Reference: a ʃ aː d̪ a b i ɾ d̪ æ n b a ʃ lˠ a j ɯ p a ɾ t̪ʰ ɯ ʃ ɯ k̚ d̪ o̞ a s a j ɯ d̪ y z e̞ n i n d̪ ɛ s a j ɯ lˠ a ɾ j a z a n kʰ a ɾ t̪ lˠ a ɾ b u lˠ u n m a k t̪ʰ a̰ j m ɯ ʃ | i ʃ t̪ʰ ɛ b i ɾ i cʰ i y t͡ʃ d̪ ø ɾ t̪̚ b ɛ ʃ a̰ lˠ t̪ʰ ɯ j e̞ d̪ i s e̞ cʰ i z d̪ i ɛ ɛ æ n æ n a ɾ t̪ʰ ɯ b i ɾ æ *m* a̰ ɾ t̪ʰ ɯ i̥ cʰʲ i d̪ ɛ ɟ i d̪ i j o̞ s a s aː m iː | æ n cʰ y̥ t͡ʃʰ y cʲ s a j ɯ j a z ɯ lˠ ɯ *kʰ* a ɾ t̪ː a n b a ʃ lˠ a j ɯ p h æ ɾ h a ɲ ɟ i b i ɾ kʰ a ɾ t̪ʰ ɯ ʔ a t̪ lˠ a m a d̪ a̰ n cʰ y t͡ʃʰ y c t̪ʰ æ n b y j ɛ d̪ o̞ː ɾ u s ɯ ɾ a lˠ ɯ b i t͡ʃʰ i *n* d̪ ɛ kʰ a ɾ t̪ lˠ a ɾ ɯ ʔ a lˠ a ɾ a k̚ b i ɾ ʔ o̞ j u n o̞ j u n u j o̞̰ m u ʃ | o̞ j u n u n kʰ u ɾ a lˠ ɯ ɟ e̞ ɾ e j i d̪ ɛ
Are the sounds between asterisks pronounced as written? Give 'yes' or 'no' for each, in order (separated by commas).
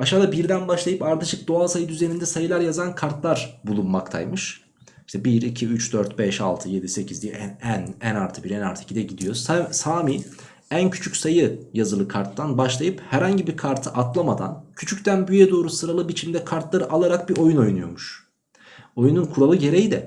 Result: no, yes, no